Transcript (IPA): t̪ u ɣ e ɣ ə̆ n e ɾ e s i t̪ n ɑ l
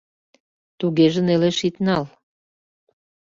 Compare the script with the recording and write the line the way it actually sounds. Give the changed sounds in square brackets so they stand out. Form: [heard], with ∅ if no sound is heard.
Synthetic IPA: t̪ u ɣ e [ʒ] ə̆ n e [l] e [ʃ] i t̪ n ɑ l